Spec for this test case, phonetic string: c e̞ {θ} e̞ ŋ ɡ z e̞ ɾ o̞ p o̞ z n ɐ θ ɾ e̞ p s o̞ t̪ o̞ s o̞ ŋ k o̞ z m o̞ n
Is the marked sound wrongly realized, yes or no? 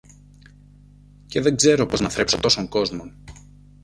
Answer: yes